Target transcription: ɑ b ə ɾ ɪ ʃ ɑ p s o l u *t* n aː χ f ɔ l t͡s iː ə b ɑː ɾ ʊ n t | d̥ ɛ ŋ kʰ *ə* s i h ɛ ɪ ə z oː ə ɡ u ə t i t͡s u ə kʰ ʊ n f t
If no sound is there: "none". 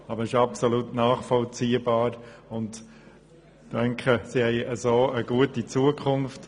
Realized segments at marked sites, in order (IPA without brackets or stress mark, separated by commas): t, ə